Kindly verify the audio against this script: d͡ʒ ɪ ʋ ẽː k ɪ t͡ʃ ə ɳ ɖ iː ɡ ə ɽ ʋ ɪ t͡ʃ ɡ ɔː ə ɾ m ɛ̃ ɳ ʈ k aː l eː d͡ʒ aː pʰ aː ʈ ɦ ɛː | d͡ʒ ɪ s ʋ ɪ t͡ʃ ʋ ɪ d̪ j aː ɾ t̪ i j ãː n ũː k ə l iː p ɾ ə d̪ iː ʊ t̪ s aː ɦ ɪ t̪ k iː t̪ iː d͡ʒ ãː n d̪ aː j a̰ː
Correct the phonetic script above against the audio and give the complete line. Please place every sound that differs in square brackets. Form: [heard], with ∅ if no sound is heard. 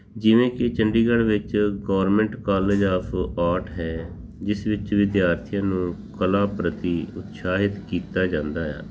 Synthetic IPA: d͡ʒ ɪ ʋ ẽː k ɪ t͡ʃ ə ɳ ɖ iː ɡ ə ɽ ʋ ɪ t͡ʃ ɡ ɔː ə ɾ m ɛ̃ ɳ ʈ k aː l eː d͡ʒ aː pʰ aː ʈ ɦ ɛː | d͡ʒ ɪ s ʋ ɪ t͡ʃ ʋ ɪ d̪ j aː ɾ [t̪ʰ] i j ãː n ũː k ə l [aː] p ɾ ə [t̪] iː ʊ t̪ s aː ɦ ɪ t̪ k iː t̪ [aː] d͡ʒ ãː n d̪ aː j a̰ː